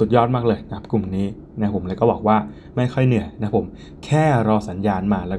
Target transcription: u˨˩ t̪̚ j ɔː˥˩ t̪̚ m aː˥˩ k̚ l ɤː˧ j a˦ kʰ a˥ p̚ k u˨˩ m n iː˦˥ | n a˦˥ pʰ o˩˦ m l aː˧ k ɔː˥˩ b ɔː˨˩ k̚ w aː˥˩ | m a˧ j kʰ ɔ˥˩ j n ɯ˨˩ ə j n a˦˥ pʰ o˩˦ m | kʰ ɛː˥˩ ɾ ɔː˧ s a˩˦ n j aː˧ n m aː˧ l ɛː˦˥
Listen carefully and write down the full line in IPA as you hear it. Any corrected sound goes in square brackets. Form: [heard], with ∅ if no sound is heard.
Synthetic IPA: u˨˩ t̪̚ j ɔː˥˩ t̪̚ m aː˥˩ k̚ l ɤː˧ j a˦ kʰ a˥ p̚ k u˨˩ m n iː˦˥ | n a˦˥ pʰ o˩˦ m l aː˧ k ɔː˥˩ b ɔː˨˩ k̚ w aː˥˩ | m [a˥˩] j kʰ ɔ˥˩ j n ɯ˨˩ ə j n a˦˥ pʰ o˩˦ m | kʰ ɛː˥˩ ɾ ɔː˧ s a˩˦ n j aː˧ n m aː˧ l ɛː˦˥